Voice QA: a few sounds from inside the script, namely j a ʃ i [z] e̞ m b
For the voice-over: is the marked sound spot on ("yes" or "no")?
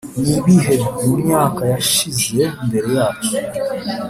yes